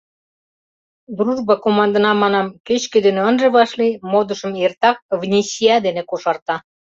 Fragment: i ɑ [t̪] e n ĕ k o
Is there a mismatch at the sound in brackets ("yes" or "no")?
yes